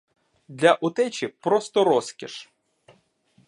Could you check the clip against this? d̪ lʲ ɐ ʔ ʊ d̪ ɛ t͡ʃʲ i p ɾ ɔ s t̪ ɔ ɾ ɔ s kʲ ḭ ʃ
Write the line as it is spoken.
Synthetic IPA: d̪ lʲ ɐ ʔ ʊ t̪ ɛ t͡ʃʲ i p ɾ ɔ s t̪ ɔ ɾ ɔ s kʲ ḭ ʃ